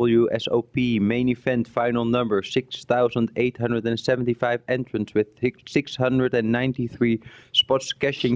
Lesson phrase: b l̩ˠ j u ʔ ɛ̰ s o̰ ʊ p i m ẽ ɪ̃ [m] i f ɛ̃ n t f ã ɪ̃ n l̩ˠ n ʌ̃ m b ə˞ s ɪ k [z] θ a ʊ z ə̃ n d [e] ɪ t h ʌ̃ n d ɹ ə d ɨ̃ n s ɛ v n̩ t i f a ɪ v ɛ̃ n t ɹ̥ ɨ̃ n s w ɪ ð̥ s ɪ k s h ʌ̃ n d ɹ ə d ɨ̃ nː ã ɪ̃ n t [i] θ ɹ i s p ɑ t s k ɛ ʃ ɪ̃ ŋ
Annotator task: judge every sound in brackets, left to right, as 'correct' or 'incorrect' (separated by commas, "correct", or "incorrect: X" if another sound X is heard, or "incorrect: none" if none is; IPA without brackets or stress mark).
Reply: incorrect: n, incorrect: s, correct, correct